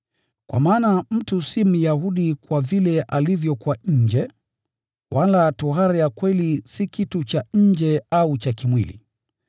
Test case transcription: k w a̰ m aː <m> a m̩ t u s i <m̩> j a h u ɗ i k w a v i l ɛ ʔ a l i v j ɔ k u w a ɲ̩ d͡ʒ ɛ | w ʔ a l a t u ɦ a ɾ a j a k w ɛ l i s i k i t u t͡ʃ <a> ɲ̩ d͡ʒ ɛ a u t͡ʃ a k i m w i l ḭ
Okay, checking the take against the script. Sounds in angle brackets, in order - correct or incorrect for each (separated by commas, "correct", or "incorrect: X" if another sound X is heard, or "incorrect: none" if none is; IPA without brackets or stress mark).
incorrect: n, correct, correct